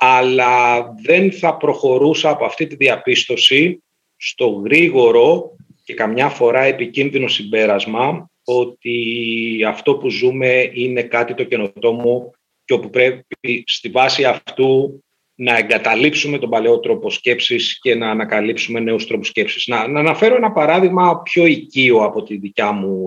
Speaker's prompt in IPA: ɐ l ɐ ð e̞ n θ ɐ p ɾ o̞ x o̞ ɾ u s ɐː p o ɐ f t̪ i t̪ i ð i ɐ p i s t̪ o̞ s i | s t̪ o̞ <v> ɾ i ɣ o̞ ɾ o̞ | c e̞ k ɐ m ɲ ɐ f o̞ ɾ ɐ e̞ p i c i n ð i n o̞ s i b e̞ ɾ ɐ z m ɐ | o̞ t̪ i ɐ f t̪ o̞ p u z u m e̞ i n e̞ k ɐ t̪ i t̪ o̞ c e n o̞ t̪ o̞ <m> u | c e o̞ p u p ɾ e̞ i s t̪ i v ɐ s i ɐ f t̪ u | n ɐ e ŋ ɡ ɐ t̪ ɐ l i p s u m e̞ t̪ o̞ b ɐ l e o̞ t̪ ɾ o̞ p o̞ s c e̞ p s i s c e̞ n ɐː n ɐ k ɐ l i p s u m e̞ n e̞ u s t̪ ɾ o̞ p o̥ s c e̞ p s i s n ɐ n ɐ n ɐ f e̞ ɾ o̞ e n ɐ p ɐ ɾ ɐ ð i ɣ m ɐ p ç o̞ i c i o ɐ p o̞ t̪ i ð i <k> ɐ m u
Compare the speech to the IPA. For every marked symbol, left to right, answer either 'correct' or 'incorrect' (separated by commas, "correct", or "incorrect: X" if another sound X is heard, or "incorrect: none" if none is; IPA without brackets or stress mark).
incorrect: ɣ, correct, incorrect: c